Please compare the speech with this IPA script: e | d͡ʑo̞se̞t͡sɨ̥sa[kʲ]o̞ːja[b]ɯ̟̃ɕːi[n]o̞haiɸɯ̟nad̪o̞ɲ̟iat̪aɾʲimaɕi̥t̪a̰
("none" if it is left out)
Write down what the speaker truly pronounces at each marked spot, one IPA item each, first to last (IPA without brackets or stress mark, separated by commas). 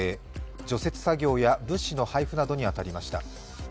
ɡʲ, b, n